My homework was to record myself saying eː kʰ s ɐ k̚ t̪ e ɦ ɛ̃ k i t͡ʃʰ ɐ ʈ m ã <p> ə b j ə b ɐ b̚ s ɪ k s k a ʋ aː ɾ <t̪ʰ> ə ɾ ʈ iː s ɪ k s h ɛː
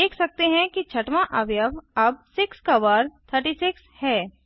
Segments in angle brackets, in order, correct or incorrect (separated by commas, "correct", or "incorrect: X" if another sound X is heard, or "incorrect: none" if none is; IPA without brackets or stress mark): incorrect: ʔ, correct